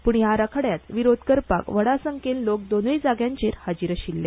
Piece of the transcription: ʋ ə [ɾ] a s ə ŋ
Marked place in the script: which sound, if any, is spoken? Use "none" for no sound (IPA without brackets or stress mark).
ɽ